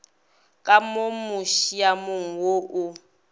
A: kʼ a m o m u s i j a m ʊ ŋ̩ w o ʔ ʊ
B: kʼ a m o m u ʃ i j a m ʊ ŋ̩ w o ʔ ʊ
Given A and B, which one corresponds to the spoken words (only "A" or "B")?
B